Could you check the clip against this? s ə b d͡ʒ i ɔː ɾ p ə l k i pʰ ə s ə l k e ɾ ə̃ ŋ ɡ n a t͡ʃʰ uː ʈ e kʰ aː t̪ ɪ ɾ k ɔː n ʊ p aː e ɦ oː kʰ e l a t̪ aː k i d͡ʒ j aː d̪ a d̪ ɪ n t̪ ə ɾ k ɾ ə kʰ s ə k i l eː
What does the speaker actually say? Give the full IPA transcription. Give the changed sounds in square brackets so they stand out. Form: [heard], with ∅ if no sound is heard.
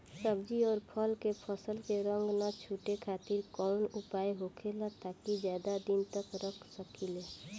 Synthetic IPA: s ə b d͡ʒ i ɔː ɾ [pʰ] ə l k [e] pʰ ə s ə l k e ɾ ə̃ ŋ ɡ n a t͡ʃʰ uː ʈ e kʰ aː t̪ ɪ ɾ k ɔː n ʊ p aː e ɦ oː kʰ e l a t̪ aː k i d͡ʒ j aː d̪ a d̪ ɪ n t̪ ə [∅] k ɾ ə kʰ s ə k i l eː